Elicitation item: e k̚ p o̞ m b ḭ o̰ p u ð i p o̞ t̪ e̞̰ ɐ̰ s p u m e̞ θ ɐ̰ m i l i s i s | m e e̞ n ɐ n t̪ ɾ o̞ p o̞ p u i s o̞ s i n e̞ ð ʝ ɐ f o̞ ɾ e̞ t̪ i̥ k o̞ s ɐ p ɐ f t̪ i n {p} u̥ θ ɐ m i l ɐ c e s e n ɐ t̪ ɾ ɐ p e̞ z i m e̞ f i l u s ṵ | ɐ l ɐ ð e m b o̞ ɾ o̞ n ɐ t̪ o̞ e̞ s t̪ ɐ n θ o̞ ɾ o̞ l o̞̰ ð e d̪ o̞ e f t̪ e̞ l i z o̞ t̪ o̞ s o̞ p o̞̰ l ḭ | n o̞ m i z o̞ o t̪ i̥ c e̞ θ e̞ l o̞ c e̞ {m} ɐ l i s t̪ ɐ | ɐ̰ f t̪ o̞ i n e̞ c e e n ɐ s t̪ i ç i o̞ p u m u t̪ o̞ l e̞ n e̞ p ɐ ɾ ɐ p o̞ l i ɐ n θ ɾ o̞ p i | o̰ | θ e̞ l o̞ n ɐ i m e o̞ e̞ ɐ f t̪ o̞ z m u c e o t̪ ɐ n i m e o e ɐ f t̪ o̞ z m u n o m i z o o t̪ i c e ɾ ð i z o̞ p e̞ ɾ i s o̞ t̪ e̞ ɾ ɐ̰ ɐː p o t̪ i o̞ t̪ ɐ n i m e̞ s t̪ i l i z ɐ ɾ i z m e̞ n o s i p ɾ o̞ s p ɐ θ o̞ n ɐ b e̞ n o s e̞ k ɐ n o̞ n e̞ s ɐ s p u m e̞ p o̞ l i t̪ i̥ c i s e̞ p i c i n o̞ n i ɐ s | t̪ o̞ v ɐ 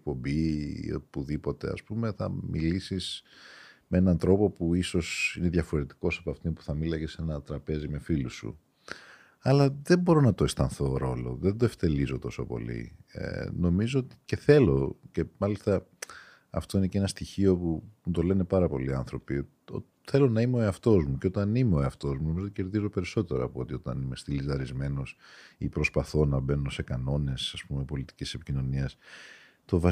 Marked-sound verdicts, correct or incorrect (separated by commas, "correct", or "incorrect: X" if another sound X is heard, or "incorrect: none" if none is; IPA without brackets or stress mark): correct, correct